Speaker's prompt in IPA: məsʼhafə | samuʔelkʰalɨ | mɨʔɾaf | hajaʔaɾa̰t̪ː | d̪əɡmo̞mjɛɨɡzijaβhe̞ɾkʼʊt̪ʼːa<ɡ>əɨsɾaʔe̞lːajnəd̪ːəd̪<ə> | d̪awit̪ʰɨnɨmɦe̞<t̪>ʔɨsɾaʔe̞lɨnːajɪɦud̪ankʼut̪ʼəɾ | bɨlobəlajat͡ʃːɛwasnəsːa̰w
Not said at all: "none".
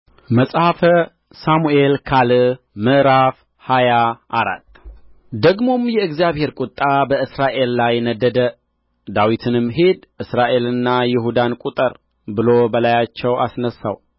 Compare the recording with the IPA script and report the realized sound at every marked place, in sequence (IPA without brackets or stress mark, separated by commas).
b, ə, d̪